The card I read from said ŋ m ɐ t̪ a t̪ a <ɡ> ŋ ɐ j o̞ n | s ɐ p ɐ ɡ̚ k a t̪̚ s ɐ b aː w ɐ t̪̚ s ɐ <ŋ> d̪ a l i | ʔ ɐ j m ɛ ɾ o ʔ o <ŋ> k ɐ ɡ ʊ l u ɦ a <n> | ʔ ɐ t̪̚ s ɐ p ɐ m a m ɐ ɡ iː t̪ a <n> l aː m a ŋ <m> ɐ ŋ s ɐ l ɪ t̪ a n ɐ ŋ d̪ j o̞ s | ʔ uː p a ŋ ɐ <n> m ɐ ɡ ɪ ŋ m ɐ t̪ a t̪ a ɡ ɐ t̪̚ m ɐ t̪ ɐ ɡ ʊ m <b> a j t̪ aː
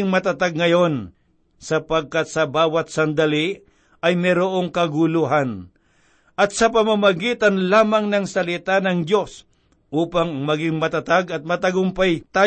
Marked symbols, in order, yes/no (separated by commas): yes, no, yes, yes, yes, no, no, no